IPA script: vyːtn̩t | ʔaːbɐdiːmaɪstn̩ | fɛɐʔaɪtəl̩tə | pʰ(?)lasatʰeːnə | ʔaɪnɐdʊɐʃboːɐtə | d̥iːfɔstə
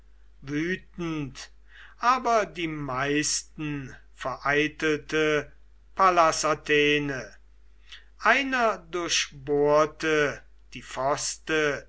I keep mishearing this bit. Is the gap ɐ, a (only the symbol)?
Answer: a